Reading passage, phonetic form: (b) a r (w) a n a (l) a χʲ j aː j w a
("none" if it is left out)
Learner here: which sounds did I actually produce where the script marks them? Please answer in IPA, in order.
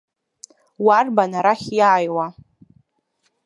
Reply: w, b, ɾ

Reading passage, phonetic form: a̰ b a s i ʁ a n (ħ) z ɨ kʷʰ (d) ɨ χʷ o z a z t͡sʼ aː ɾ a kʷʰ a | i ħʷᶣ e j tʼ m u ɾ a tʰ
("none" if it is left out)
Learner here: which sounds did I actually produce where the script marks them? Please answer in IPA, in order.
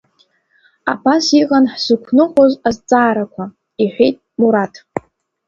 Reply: ħ, n

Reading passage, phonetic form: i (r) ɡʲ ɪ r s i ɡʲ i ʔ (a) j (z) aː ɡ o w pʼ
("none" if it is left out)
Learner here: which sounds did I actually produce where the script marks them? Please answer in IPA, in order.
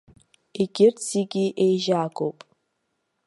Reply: none, e, ʒ

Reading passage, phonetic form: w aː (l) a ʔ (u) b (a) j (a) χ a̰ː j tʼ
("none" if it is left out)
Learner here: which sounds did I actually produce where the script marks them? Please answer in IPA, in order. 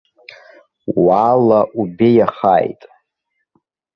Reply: l, u, e, a

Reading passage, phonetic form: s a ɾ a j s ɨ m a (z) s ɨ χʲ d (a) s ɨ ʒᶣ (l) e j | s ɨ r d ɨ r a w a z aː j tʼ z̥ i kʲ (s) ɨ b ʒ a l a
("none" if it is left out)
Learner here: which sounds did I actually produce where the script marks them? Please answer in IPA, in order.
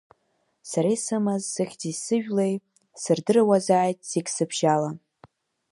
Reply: z, i, l, s

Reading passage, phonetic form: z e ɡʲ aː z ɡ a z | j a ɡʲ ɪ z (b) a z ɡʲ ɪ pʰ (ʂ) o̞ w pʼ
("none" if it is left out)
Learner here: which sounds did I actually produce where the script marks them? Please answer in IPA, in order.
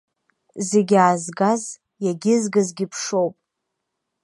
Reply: ɡ, ʂ

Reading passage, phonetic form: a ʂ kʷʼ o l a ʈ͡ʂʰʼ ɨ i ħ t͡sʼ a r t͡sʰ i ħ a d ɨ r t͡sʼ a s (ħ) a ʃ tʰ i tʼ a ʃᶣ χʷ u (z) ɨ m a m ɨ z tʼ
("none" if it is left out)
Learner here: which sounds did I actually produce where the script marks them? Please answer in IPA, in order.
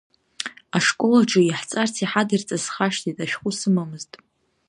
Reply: χ, s

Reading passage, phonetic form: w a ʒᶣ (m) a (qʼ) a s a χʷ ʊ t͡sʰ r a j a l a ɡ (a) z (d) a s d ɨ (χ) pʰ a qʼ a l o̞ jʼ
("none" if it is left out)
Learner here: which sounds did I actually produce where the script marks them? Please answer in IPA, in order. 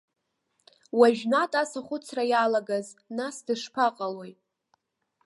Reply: n, tʼ, a, n, ʂ

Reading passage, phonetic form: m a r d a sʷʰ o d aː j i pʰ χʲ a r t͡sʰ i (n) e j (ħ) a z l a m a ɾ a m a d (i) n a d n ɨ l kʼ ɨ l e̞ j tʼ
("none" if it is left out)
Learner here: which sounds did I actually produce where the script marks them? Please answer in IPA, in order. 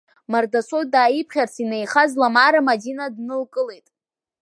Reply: n, χ, i

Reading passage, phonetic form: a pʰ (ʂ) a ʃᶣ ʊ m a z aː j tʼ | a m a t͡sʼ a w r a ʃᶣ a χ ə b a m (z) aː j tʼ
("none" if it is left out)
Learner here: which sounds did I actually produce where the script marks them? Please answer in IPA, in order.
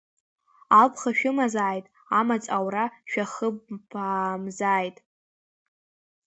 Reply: χ, z

